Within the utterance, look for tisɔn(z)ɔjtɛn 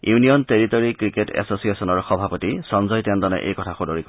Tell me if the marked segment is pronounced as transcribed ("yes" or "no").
yes